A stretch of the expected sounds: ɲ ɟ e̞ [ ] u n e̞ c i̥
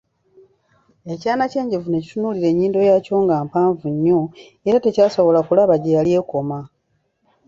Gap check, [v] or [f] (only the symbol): v